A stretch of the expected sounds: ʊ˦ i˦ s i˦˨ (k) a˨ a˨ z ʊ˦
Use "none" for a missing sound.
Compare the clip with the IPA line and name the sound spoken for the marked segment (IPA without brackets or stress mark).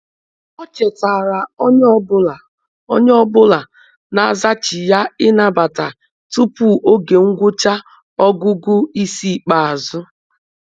k͡p